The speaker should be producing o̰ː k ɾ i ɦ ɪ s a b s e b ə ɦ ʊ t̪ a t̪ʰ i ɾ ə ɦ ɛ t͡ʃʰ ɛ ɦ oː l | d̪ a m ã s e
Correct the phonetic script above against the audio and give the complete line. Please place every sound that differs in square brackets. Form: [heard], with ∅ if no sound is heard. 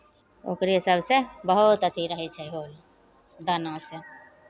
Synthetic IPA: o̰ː k ɾ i ɦ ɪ s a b s e b ə ɦ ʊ t̪ [ə] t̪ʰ i ɾ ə ɦ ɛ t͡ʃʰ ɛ ɦ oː l | d̪ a [n] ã s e